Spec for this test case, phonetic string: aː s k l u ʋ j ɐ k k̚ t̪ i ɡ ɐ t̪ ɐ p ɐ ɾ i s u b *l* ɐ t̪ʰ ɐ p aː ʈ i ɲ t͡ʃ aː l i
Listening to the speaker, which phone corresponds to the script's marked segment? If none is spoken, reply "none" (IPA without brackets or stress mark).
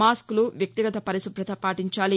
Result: ɾ